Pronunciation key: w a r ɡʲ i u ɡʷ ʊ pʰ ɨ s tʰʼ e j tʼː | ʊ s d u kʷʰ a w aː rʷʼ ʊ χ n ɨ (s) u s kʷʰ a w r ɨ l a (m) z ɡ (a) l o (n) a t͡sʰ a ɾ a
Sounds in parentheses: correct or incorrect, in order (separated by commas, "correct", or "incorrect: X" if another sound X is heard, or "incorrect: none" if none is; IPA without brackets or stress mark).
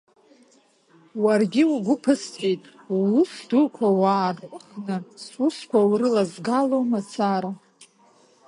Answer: correct, incorrect: none, correct, incorrect: m